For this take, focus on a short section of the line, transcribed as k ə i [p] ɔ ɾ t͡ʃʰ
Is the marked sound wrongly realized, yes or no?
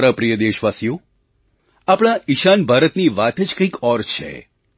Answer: yes